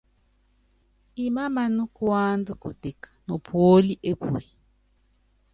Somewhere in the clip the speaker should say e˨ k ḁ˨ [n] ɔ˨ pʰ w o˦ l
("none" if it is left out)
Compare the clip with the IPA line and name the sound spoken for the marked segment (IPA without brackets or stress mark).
n